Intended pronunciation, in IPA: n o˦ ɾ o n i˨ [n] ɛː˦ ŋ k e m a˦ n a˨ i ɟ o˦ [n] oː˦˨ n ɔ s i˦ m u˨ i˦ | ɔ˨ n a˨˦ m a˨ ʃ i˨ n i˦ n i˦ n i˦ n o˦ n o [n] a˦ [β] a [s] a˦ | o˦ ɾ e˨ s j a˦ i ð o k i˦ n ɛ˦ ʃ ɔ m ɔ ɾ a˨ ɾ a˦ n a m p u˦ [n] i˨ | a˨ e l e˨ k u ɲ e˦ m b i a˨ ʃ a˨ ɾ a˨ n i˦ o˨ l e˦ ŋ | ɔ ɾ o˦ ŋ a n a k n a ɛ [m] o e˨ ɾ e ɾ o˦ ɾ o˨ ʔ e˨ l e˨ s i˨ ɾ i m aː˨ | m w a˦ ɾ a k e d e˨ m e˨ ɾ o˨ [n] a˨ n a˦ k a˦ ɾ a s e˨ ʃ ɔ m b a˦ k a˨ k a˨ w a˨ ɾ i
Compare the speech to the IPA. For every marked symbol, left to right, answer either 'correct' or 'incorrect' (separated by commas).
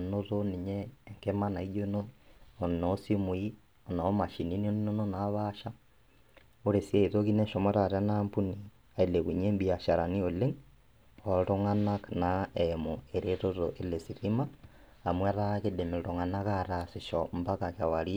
incorrect, correct, correct, correct, incorrect, correct, correct, incorrect